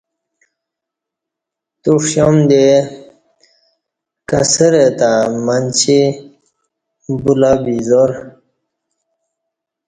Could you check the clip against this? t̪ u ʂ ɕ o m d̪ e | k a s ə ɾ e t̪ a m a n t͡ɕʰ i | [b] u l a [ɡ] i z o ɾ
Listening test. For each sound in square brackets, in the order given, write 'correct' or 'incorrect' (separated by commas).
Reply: correct, incorrect